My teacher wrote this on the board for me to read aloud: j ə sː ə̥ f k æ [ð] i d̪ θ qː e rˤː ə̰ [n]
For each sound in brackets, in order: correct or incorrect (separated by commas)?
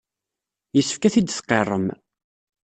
incorrect, incorrect